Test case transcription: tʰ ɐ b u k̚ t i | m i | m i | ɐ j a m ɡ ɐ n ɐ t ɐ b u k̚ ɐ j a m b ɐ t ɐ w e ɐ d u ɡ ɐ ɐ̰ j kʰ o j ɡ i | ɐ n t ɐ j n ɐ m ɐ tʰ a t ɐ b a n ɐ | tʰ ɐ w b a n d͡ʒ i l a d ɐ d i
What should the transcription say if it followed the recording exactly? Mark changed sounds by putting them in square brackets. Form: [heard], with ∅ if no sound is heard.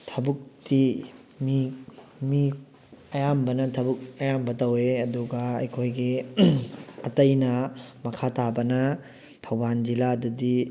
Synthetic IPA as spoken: tʰ ɐ b u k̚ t i | m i | m i | ɐ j a m [b] ɐ n ɐ [tʰ] ɐ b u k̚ ɐ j a m b ɐ t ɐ w e ɐ d u ɡ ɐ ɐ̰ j kʰ o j ɡ i | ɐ [∅] t ɐ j n ɐ m ɐ [kʰ] a t [a] b [ɐ] n ɐ | tʰ ɐ w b a n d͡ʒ i l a d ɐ d i